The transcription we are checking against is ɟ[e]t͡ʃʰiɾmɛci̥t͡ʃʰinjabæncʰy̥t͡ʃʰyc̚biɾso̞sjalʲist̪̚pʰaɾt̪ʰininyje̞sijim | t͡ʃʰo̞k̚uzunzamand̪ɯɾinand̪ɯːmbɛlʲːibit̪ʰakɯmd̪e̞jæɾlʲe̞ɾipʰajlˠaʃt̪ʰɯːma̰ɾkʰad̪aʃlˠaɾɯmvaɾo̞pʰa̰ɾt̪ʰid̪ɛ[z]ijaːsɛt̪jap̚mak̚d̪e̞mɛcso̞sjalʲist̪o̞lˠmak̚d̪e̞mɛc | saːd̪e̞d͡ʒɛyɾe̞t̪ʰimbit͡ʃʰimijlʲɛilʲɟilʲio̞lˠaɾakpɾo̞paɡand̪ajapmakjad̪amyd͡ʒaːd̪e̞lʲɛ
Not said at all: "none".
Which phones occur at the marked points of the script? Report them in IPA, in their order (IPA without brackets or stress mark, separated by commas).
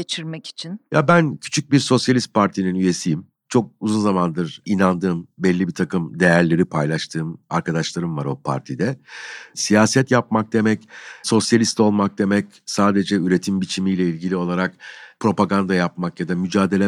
e, s